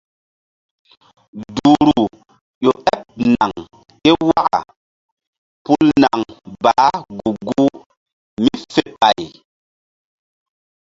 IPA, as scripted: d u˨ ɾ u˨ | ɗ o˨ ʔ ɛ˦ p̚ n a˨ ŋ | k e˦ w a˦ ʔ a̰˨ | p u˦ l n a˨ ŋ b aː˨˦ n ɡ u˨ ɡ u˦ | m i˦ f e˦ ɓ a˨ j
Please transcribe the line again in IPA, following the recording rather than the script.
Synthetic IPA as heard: d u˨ ɾ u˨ | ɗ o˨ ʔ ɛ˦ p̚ n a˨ ŋ | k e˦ w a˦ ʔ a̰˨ | p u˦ l n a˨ ŋ b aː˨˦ ɡ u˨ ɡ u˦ | m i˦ f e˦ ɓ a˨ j

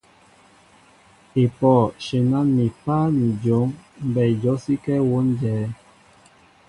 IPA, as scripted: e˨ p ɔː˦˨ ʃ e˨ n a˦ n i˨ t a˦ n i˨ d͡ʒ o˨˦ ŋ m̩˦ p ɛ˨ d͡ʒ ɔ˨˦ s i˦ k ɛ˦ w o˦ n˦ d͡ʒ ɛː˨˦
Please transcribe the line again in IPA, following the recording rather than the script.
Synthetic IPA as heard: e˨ p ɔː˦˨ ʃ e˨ n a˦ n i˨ p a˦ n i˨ d͡ʒ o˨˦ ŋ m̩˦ b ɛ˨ d͡ʒ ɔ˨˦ s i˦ k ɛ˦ w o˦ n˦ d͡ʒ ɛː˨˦

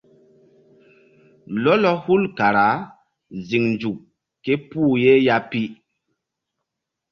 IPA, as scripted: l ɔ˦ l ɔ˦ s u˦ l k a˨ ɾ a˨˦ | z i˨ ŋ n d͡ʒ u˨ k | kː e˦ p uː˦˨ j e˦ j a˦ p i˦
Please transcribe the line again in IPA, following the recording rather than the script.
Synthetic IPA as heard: l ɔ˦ l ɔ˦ h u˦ l k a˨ ɾ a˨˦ | z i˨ ŋ n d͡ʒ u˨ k | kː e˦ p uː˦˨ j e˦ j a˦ p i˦

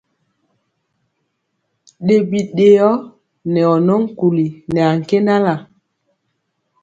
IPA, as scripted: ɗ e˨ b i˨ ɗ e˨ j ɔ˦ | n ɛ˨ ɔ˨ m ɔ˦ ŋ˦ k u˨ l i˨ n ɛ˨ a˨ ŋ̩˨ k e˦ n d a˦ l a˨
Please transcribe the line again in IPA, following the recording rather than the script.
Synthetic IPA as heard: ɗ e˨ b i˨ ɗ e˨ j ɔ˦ | n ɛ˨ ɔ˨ n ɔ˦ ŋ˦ k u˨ l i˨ n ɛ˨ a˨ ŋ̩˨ k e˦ n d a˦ l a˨

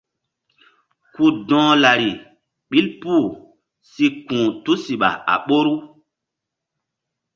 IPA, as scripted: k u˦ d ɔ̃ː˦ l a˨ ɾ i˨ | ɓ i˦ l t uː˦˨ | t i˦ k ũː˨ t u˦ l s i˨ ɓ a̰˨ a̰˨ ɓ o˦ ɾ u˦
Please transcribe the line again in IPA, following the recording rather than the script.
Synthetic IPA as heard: k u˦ d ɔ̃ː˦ l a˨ ɾ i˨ | ɓ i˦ l p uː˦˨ | s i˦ k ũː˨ t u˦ s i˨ ɓ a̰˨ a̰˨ ɓ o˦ ɾ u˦

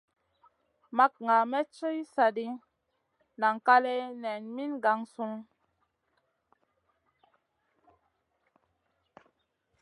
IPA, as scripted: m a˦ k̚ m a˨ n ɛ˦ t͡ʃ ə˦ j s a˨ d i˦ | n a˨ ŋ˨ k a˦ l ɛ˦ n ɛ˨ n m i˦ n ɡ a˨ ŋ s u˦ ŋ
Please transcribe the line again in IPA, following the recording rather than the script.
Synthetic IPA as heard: m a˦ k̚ ŋ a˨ m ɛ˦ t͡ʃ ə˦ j s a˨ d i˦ | n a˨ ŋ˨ k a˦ l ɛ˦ n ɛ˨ n m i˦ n ɡ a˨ ŋ s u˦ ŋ

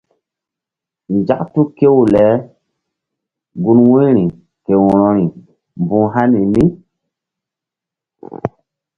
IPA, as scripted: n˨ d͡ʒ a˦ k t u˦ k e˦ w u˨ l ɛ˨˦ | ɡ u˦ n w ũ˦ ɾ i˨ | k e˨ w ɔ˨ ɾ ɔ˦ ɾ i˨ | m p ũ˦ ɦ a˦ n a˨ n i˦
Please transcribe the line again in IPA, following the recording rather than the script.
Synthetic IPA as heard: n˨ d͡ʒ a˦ k t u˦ k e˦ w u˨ l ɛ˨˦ | ɡ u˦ n w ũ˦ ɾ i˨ | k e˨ w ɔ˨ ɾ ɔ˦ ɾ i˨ | m b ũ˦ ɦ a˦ n i˨ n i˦

